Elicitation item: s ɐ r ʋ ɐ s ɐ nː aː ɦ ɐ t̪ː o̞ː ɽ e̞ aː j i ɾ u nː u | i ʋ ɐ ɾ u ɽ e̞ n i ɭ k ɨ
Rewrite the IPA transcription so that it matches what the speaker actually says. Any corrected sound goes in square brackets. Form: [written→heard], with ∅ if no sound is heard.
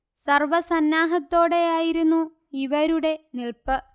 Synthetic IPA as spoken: s ɐ r ʋ ɐ s ɐ nː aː ɦ ɐ t̪ː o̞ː ɽ e̞ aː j i ɾ u nː u | i ʋ ɐ ɾ u ɽ e̞ n i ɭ [k→p] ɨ